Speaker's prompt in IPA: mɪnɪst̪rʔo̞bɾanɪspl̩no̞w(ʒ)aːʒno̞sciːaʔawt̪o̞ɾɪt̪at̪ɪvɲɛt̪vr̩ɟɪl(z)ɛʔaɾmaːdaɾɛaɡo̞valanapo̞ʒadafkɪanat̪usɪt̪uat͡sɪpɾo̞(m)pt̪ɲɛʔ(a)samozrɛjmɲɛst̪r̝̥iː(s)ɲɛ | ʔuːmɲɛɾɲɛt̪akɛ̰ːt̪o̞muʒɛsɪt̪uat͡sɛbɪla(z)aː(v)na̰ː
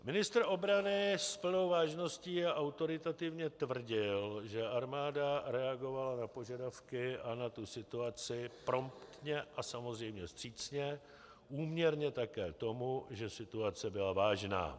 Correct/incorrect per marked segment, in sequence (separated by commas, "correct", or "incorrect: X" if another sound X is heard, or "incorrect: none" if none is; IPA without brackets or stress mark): incorrect: v, incorrect: ʒ, correct, correct, incorrect: t͡s, incorrect: v, incorrect: ʒ